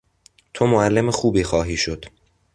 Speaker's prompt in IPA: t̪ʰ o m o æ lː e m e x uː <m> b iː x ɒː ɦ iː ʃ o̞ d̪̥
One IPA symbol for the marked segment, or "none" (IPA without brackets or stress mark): none